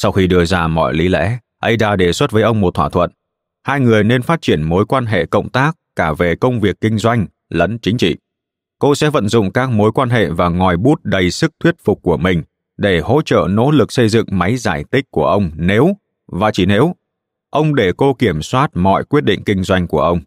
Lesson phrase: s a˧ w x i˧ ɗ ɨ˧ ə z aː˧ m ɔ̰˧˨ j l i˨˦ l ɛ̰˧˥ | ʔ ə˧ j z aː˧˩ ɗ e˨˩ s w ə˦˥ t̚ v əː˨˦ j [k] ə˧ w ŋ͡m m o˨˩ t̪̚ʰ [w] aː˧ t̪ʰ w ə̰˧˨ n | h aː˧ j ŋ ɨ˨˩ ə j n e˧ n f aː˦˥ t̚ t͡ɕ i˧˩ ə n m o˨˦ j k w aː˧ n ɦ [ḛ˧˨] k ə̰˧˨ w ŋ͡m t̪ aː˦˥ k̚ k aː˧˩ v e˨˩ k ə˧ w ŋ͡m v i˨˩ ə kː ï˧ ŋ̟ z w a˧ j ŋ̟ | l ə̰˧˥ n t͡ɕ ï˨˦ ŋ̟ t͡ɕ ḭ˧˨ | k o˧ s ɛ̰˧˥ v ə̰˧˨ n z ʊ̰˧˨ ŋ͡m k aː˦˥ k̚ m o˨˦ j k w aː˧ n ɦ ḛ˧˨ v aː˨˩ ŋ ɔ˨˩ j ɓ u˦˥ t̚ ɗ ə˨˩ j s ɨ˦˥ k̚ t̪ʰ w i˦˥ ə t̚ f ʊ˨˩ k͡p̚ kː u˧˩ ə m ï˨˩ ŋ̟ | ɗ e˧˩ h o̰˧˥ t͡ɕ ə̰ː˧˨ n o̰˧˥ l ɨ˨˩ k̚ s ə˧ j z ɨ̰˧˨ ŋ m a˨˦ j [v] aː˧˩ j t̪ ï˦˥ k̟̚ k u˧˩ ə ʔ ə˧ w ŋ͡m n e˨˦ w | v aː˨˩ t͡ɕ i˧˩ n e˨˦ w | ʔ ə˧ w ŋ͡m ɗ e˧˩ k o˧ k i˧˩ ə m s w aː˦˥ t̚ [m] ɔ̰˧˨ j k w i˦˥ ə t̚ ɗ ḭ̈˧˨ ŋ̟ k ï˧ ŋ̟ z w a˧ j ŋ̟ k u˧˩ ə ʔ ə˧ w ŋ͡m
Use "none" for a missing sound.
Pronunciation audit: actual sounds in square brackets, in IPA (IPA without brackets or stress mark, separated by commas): ʔ, w, ḛ˧˨, z, m